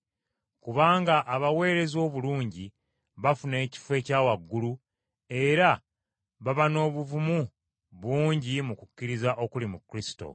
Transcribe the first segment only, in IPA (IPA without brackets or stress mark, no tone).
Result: k